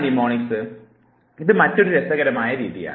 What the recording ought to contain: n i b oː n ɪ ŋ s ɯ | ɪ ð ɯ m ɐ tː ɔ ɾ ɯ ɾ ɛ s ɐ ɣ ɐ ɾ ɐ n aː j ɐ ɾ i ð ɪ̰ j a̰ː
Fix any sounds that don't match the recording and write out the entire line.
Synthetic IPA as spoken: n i m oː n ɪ ŋ s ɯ | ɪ ð ɯ m ɐ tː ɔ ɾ ɯ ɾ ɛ s ɐ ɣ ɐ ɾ ɐ m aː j ɐ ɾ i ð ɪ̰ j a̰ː